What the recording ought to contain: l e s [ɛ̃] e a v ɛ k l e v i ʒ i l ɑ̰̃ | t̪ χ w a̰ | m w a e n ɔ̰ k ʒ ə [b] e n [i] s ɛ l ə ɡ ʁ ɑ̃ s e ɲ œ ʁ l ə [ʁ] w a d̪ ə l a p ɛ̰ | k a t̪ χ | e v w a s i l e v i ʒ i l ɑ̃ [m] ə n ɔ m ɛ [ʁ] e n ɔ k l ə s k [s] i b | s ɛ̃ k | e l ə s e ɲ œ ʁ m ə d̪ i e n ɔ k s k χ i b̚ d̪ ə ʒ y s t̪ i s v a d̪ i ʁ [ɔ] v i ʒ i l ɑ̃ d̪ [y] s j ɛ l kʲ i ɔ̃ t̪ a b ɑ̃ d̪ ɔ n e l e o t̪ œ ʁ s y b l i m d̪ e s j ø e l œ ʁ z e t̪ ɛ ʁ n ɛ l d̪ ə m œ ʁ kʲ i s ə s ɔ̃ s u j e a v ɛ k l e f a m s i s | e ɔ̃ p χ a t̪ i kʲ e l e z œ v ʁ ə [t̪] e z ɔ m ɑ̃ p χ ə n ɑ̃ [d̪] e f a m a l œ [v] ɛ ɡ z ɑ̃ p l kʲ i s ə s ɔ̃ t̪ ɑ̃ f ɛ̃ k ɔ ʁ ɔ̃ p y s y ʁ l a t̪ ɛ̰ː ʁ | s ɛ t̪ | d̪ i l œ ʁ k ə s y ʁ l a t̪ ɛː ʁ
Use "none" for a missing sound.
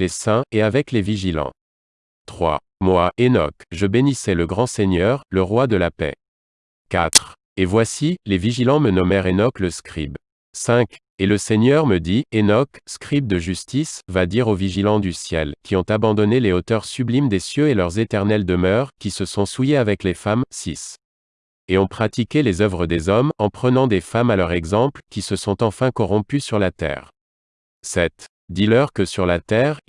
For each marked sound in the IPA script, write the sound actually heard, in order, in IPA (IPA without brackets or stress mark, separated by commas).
ɛ̃, b, i, ʁ, m, ʁ, χ, o, y, d̪, d̪, ʁ